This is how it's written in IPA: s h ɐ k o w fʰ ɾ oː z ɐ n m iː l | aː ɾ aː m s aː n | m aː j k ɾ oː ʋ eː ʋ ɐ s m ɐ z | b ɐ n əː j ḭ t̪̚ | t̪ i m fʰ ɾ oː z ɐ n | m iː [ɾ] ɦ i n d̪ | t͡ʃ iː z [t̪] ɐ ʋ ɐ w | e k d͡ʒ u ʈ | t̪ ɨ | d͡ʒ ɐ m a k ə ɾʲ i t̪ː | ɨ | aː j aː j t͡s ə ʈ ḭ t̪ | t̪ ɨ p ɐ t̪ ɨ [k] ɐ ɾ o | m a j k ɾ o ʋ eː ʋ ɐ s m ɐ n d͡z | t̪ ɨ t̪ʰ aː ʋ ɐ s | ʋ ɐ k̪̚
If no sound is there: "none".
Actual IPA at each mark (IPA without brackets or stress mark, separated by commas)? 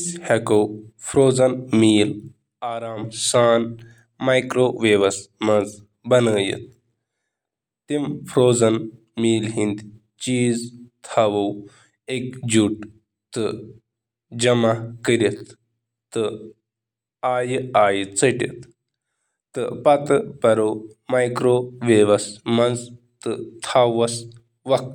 l, t̪ʰ, p